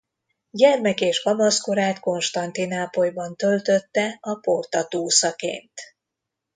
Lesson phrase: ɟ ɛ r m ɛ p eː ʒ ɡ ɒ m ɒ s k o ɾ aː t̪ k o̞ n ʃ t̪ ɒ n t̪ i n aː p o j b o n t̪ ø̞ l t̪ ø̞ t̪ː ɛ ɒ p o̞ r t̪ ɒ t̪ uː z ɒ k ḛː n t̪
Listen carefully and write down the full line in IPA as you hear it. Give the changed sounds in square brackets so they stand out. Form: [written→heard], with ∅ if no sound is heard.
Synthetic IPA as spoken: ɟ ɛ r m ɛ [p→k] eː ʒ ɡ ɒ m ɒ s k o ɾ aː t̪ k o̞ n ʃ t̪ ɒ n t̪ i n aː p o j b [o→ɒ] n t̪ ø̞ l t̪ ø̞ t̪ː ɛ ɒ p o̞ r t̪ ɒ t̪ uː [z→s] ɒ k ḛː n t̪